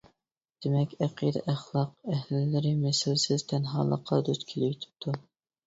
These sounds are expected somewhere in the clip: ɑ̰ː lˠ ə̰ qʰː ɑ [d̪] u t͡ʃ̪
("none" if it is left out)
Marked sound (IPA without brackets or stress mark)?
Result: d̪